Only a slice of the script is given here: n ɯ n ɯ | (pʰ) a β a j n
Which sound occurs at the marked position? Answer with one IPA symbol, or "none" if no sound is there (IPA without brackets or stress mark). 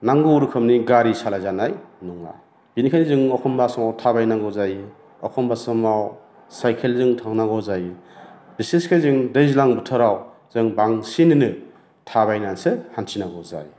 tʰ